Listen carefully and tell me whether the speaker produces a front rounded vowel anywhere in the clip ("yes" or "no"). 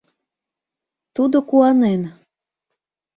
no